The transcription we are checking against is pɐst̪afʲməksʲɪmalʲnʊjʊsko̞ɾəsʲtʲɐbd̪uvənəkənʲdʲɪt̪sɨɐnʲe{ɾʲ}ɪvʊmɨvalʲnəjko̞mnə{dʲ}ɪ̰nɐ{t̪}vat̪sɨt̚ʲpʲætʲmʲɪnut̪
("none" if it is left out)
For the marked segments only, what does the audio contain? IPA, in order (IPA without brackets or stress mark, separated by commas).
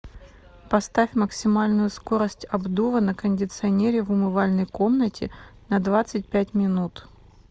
ɾʲ, tʲ, d̪